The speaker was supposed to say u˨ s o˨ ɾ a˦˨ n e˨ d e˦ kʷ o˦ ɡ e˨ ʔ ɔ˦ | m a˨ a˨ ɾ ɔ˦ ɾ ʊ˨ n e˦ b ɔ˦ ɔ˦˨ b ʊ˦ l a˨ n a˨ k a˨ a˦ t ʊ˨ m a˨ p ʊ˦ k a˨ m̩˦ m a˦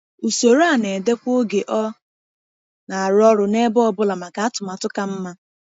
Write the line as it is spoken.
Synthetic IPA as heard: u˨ s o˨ ɾ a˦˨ n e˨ d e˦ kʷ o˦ ɡ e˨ ʔ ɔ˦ | n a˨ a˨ ɾ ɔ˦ ɾ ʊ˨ n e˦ b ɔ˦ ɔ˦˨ b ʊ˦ l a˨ m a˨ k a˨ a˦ t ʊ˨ m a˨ t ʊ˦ k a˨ m̩˦ m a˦